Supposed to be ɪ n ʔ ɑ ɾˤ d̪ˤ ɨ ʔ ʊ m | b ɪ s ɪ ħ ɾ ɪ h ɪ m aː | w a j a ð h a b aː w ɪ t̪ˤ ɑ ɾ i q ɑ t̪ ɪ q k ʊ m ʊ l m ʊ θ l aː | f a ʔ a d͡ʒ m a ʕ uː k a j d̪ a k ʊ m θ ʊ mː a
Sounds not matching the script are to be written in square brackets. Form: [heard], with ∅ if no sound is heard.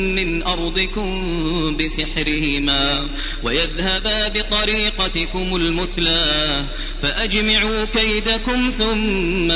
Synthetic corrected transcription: ɪ n ʔ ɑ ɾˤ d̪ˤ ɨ [k] ʊ m | b ɪ s ɪ ħ ɾ ɪ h ɪ m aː | w a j a ð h a b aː [b] ɪ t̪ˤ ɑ ɾ [iː] q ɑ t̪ ɪ [∅] k ʊ m ʊ l m ʊ θ l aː | f a ʔ a d͡ʒ m a ʕ uː k a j d̪ a k ʊ m θ ʊ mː a